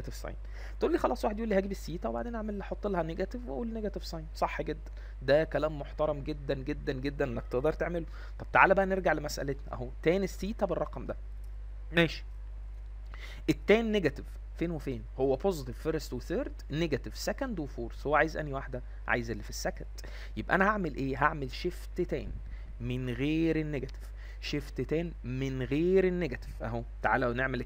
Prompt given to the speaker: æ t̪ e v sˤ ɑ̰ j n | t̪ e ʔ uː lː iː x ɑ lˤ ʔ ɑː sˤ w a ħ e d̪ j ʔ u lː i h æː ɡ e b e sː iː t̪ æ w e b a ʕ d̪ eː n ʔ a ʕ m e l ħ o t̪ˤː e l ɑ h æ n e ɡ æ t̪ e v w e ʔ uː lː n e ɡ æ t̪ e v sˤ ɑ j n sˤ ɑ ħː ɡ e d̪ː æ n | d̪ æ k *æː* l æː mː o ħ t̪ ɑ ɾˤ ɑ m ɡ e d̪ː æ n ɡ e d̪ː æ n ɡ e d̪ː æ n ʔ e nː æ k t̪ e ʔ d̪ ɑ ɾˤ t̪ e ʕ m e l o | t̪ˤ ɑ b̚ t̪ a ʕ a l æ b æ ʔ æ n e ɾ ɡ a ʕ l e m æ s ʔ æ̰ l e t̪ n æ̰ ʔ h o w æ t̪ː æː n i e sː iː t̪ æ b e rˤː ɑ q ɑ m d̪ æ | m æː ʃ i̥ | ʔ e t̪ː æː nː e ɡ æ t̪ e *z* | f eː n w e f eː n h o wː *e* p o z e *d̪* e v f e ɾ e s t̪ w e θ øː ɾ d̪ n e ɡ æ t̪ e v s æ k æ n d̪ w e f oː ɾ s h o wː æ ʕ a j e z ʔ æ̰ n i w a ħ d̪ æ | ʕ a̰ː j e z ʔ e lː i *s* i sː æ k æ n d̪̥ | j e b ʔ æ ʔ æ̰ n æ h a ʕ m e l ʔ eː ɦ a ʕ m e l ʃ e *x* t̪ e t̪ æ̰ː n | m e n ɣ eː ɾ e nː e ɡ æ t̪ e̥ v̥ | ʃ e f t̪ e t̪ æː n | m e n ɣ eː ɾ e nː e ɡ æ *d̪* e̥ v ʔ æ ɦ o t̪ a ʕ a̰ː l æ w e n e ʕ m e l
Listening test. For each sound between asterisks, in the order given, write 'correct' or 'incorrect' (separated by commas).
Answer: incorrect, incorrect, incorrect, incorrect, incorrect, incorrect, incorrect